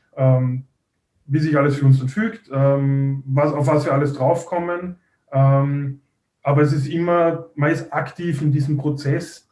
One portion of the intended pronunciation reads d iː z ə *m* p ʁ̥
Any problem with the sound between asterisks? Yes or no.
no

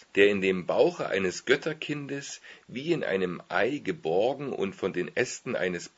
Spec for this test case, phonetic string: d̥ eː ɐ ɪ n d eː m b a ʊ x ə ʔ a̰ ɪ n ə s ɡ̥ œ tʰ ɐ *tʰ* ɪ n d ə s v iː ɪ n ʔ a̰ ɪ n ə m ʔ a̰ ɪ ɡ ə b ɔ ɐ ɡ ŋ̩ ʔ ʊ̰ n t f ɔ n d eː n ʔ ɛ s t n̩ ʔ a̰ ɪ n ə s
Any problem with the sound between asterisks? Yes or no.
yes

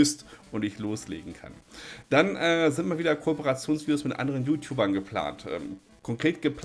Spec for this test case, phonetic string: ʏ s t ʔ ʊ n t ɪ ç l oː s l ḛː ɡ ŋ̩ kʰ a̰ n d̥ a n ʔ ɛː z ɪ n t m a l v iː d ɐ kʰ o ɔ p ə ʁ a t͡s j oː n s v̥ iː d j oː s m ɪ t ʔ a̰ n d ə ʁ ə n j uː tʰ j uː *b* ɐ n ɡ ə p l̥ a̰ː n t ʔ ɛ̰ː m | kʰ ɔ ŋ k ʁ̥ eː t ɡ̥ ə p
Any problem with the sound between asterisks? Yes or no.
no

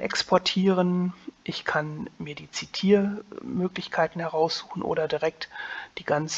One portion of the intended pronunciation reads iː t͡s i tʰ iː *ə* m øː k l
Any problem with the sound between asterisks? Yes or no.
yes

